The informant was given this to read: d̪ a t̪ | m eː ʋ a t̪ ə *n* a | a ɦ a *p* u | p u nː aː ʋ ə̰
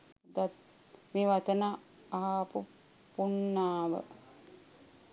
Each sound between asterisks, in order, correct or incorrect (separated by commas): correct, correct